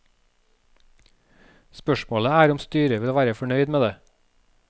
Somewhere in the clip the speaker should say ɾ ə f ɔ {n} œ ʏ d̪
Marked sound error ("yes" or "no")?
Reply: yes